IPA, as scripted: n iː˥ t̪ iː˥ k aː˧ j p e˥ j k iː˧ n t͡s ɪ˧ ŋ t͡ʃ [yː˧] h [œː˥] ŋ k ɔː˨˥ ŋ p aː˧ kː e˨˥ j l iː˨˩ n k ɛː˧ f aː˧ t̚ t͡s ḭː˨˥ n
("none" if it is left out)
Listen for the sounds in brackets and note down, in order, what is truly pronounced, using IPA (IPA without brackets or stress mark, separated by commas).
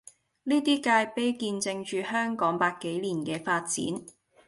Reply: yː˧, œː˥